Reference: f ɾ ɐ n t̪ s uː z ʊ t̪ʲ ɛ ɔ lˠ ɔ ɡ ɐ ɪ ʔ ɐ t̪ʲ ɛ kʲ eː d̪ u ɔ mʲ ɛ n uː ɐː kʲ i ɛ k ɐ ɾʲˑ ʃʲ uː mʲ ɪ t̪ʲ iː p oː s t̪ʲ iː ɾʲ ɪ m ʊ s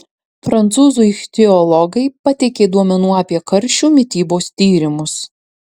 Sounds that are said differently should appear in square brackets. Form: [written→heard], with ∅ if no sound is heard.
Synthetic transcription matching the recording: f ɾ ɐ n t̪ s uː z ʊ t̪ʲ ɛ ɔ lˠ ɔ ɡ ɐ ɪ [ʔ→p] ɐ t̪ʲ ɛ kʲ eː d̪ u ɔ mʲ ɛ n uː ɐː [kʲ→pʲ] i ɛ k ɐ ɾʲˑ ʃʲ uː mʲ ɪ t̪ʲ iː [p→b] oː s t̪ʲ iː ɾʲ ɪ m ʊ s